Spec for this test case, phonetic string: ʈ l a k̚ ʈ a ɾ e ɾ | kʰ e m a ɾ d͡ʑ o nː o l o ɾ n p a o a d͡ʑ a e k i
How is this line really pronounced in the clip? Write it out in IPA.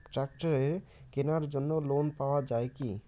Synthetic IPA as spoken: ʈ ɾ a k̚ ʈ a ɾ e ɾ | k e n a ɾ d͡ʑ o nː o l o n p a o a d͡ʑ a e k i